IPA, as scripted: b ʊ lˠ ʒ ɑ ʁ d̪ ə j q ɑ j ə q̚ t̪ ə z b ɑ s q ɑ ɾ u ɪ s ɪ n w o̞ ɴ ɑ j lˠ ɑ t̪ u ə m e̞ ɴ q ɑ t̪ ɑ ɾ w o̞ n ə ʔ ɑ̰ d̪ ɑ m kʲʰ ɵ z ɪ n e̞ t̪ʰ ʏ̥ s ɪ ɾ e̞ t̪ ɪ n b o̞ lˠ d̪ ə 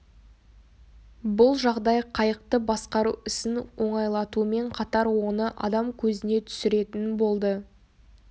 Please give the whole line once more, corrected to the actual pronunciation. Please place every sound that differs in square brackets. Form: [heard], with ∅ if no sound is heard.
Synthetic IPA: b ʊ lˠ ʒ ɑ ʁ d̪ [ɑ] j [qʰ] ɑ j ə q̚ t̪ ə [∅] b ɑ s q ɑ ɾ u ɪ s ɪ n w o̞ ɴ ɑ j lˠ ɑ t̪ u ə m e̞ ɴ [qʰ] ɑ t̪ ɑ ɾ w o̞ n ə ʔ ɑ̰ d̪ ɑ m kʲʰ ɵ z ɪ n e̞ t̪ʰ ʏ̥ s ɪ ɾ e̞ t̪ ɪ n b o̞ lˠ d̪ ə